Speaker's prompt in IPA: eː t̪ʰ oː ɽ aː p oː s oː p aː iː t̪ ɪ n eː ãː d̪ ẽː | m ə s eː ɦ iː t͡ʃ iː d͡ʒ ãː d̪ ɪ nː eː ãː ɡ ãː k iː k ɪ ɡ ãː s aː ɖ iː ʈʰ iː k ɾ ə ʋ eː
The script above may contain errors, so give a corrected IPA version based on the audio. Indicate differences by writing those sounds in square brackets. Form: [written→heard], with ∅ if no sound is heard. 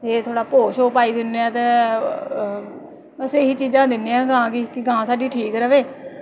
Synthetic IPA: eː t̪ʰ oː ɽ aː p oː [s→ʃ] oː p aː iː [t̪→d̪] ɪ n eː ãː [d̪→t̪] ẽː | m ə s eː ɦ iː t͡ʃ iː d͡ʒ ãː d̪ ɪ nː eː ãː ɡ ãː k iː k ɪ ɡ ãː s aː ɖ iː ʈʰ iː k ɾ ə ʋ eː